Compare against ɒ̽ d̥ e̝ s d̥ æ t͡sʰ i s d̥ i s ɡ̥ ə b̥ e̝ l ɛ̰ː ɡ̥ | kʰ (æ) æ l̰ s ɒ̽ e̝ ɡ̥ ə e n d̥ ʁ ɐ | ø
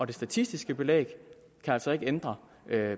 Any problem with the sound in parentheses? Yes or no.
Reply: no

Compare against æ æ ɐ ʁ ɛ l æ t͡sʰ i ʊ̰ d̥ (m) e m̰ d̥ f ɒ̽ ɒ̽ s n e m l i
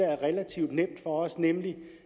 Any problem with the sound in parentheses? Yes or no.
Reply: yes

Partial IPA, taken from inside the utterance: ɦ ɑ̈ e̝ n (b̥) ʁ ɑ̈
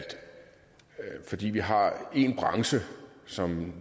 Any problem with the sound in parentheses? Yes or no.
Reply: no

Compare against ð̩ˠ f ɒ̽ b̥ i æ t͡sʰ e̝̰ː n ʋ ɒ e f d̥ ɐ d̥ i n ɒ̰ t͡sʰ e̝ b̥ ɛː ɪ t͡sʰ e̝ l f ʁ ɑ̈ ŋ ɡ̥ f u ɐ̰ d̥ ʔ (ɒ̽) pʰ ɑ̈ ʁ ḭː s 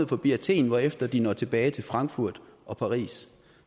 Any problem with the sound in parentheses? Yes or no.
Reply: no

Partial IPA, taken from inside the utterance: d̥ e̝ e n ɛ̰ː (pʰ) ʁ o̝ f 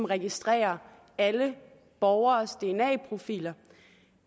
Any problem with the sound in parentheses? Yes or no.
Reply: no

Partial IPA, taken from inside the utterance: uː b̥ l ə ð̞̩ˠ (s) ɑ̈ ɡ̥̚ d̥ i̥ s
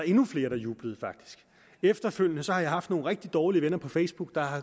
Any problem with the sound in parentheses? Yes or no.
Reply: yes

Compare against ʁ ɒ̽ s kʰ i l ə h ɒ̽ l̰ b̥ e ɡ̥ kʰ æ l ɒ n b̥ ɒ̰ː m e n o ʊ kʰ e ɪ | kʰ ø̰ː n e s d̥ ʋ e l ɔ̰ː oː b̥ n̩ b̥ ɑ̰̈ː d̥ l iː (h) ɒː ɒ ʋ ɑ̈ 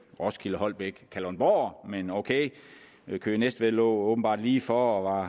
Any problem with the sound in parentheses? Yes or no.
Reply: yes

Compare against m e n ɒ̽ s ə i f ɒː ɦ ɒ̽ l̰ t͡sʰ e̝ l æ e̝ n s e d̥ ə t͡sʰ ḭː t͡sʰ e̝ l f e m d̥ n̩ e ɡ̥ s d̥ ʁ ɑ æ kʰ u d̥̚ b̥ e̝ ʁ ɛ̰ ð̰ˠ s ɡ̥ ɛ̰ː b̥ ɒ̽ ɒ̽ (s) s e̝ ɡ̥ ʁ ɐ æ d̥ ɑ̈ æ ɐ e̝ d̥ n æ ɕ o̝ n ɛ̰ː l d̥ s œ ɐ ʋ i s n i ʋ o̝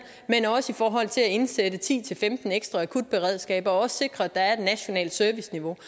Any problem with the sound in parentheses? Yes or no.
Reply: no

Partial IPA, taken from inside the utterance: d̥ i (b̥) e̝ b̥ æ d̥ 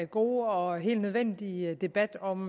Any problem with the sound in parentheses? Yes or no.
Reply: yes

